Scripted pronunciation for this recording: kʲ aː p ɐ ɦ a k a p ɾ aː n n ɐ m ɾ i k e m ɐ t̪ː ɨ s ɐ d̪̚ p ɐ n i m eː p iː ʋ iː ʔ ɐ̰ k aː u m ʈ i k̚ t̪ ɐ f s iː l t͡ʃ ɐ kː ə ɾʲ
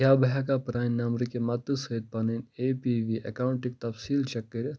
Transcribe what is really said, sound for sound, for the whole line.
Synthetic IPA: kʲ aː b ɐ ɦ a k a p ɾ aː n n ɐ m ɾ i k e m ɐ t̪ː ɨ s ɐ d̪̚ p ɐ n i n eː p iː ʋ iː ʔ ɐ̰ k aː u ɳ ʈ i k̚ t̪ ɐ f s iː l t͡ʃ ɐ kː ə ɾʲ